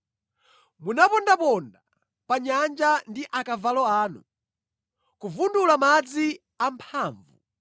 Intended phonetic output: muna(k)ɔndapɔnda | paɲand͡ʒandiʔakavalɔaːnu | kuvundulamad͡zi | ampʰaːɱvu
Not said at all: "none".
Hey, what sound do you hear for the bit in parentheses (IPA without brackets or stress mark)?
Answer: p